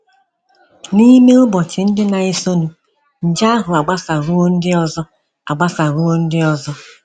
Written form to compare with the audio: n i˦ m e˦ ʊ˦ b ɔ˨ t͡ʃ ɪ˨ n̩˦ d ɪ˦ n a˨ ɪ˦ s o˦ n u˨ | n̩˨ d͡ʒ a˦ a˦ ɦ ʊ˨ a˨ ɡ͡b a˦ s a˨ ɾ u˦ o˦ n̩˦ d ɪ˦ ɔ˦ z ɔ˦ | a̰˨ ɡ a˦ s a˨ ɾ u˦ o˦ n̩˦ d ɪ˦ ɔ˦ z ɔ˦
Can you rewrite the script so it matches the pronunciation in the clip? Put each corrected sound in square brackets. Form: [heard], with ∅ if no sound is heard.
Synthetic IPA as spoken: n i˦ m e˦ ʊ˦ b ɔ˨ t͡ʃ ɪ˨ n̩˦ d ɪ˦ n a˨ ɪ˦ s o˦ n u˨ | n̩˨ d͡ʒ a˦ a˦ ɦ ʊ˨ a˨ ɡ͡b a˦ s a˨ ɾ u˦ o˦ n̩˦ d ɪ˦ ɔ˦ z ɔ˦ | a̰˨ [ɡ͡b] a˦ s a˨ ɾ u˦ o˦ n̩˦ d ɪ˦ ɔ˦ z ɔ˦